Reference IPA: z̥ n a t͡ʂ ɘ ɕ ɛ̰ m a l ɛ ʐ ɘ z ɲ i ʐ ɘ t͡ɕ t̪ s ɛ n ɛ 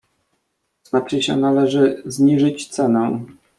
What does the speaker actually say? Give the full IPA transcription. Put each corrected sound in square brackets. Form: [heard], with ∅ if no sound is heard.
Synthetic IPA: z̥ n a t͡ʂ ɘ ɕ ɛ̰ [n] a l ɛ ʐ ɘ z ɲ i ʐ ɘ t͡ɕ t̪ s ɛ n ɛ